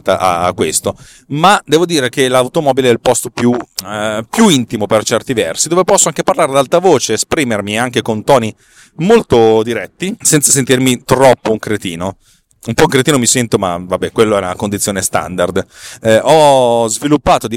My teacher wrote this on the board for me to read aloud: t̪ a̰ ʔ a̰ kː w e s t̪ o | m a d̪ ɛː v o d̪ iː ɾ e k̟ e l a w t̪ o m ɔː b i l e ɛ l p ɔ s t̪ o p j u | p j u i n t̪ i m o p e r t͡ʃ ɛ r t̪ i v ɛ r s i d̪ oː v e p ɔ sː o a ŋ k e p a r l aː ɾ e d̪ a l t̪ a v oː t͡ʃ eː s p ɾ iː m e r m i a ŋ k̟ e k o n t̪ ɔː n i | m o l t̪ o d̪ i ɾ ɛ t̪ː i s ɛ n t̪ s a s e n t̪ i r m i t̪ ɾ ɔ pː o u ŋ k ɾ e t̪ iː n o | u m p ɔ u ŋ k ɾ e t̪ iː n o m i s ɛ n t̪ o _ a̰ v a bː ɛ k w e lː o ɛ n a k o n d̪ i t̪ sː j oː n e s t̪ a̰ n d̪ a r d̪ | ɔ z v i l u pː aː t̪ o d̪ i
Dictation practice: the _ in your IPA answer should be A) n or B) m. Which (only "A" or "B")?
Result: B